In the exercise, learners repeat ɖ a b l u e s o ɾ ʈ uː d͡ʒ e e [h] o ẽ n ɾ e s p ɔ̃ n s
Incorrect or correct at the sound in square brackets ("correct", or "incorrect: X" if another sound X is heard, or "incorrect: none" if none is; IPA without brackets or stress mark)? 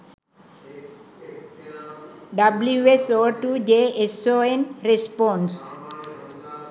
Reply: incorrect: s